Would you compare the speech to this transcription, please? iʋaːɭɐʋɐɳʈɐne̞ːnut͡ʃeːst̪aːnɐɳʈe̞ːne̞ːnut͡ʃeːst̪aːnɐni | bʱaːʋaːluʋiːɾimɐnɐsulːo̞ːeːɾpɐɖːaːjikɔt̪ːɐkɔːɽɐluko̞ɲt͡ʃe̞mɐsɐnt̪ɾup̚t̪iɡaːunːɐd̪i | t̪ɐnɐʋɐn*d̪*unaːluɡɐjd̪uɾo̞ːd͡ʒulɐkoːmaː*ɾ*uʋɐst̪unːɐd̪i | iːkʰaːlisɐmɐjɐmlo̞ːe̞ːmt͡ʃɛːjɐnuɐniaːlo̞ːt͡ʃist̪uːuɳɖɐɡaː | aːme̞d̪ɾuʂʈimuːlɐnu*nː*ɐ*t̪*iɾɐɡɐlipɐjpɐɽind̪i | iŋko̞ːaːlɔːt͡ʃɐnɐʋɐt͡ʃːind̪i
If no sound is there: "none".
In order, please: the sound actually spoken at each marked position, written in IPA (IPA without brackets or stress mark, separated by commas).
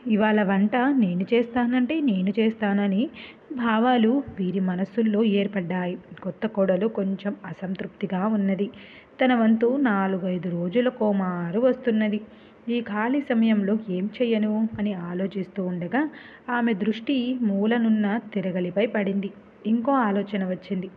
t̪, ɾ, nː, t̪